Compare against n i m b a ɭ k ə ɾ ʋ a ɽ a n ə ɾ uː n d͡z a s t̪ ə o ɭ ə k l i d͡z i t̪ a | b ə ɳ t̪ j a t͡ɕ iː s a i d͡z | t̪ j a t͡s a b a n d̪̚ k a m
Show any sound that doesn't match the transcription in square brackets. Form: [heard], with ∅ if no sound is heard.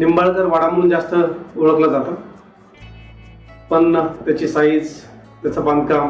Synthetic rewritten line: n i m b a ɭ k ə ɾ ʋ a ɽ a [m] ə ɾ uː n d͡z a s t̪ ə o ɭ ə k l [a] d͡z [a] t̪ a | [p] ə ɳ t̪ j a t͡ɕ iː s a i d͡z | t̪ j a t͡s a b a n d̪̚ k a m

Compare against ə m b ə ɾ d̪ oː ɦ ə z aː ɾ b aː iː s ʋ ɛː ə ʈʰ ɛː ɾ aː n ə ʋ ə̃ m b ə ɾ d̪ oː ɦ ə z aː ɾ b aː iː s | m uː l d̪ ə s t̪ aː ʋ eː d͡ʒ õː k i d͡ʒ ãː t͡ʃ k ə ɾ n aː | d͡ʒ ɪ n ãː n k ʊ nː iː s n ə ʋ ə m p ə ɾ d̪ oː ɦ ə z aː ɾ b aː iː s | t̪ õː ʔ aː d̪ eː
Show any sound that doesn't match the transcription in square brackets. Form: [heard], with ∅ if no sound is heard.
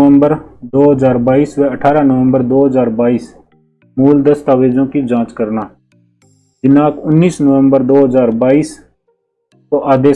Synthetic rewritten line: ə m b ə ɾ d̪ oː ɦ ə z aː ɾ b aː iː s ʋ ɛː ə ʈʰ [aː] ɾ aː n ə ʋ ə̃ m b ə ɾ d̪ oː ɦ ə z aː ɾ b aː iː s | m uː l d̪ ə s t̪ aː ʋ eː d͡ʒ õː k i d͡ʒ ãː t͡ʃ k ə ɾ n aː | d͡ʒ ɪ n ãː [∅] k ʊ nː iː s n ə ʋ ə m [b] ə ɾ d̪ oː ɦ ə z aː ɾ b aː iː s | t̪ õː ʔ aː d̪ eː

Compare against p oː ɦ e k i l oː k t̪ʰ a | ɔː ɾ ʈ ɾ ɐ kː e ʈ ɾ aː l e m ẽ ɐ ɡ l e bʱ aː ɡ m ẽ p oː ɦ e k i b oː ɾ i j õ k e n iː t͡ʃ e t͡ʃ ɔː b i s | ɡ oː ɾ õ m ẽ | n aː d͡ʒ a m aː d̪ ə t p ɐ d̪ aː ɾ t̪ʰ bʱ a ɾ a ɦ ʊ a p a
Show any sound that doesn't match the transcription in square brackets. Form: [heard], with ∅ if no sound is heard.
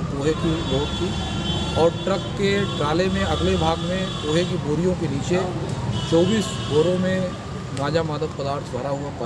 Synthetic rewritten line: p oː ɦ e k i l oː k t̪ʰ [i] | ɔː ɾ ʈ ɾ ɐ kː e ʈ ɾ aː l e m ẽ ɐ ɡ l e bʱ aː ɡ m ẽ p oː ɦ e k i b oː ɾ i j õ k e n iː t͡ʃ e t͡ʃ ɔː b [iː] s | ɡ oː ɾ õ m ẽ | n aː d͡ʒ a m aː d̪ ə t p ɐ d̪ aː ɾ t̪ʰ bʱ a ɾ a ɦ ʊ a p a

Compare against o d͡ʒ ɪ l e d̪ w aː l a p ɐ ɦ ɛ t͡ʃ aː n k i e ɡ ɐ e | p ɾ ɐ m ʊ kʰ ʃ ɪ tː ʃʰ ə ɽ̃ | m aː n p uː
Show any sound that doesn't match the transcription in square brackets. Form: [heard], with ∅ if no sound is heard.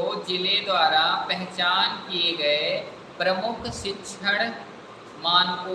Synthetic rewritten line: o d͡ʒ ɪ l e d̪ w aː [ɾ] a p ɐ ɦ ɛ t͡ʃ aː n k i e ɡ ɐ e | p ɾ ɐ m ʊ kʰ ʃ ɪ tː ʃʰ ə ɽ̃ | m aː n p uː

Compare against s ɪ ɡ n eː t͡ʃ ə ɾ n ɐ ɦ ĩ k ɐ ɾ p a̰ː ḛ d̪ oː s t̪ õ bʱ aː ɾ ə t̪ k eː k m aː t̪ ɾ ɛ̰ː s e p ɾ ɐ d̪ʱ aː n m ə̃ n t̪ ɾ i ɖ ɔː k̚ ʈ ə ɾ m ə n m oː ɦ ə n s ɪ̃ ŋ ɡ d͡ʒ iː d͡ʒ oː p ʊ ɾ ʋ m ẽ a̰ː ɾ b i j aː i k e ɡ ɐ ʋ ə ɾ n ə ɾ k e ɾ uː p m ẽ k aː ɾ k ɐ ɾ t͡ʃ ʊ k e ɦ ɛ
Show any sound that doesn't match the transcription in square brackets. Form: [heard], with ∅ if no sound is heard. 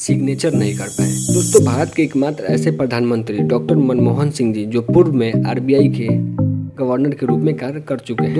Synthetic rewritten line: s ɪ ɡ n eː t͡ʃ ə ɾ n ɐ ɦ ĩ k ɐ ɾ p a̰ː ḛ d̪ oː s t̪ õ bʱ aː ɾ ə t̪ k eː k m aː t̪ ɾ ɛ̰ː s e p ɾ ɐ d̪ʱ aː n m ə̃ n t̪ ɾ i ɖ ɔː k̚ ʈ ə ɾ m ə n m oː ɦ ə n s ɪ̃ ŋ ɡ d͡ʒ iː d͡ʒ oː p ʊ ɾ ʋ m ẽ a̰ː ɾ b i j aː i k e ɡ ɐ ʋ ə ɾ n ə ɾ k e ɾ uː p m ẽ k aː ɾ k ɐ ɾ t͡ʃ ʊ k e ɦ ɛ

